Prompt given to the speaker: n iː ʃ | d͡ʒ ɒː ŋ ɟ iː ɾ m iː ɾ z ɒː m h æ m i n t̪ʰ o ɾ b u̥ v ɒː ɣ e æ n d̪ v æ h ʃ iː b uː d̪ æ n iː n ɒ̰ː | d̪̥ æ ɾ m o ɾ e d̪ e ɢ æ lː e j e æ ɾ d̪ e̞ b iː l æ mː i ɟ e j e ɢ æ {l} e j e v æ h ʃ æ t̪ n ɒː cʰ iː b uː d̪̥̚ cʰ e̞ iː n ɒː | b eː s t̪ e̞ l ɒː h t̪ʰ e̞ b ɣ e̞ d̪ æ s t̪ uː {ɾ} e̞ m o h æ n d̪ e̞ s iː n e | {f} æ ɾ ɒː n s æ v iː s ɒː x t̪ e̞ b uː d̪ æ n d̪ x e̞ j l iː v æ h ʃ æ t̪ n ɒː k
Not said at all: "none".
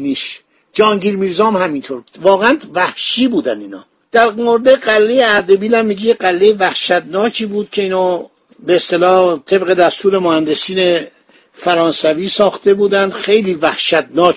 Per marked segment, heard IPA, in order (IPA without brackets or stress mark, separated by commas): lː, ɾ, f